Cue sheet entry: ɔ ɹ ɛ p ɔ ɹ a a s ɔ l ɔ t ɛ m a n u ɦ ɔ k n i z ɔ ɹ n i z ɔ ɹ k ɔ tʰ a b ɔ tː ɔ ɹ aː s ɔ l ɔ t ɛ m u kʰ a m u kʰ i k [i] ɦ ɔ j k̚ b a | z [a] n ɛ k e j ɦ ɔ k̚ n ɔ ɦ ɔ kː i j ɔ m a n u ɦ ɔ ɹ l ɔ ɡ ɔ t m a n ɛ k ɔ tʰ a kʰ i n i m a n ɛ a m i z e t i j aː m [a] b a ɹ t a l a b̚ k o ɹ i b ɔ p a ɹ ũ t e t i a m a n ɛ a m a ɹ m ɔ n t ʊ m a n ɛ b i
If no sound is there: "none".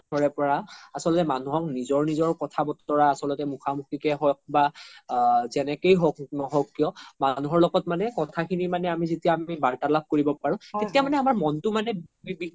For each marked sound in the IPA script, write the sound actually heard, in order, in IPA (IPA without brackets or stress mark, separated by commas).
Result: ɛ, ɛ, i